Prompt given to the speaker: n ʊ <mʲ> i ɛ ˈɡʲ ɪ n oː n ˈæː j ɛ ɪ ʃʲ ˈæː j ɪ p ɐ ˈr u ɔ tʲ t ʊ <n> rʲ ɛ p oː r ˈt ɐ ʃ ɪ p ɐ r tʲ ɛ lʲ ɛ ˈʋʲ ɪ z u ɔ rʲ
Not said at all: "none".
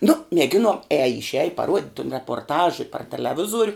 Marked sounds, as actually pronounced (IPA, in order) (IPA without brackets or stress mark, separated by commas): mʲ, n